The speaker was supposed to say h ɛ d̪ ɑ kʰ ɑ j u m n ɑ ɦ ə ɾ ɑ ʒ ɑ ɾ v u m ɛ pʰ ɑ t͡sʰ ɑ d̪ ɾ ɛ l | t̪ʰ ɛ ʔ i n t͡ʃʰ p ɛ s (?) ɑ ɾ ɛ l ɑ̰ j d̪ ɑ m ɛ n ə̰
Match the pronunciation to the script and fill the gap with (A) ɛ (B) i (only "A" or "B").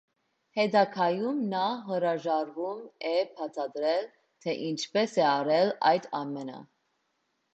A